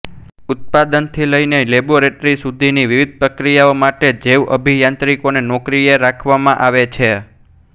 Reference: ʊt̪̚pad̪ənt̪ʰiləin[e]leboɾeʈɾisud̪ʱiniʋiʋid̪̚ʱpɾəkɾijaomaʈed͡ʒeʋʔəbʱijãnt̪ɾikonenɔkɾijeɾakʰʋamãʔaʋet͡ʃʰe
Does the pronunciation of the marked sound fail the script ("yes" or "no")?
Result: no